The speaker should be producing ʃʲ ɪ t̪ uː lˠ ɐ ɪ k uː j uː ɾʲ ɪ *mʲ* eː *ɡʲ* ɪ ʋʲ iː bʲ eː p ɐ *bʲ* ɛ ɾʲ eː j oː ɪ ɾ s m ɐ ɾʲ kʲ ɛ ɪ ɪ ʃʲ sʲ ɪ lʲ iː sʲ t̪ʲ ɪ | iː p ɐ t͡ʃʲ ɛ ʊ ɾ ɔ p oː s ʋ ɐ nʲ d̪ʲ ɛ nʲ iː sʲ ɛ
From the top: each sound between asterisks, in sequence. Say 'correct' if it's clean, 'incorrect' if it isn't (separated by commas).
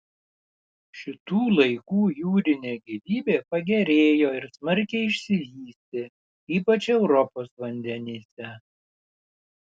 incorrect, correct, incorrect